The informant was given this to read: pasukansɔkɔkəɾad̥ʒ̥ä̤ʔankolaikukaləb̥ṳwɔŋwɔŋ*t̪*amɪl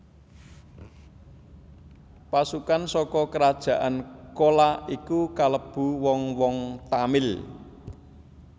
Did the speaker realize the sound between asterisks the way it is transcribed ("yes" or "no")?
yes